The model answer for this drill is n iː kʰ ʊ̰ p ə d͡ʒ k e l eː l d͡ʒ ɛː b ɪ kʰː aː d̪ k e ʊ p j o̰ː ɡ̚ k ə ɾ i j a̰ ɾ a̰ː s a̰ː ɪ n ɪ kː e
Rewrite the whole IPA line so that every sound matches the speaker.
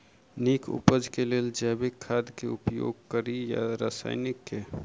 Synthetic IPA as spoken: n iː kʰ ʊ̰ p ə d͡ʒ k e l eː l d͡ʒ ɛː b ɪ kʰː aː d̪ k e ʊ p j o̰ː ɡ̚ k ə ɾ i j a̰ ɾ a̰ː s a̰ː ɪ n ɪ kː e